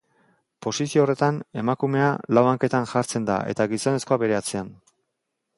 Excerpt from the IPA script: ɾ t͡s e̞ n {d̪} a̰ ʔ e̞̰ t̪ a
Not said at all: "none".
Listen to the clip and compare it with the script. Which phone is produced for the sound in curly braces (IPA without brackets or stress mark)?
d̪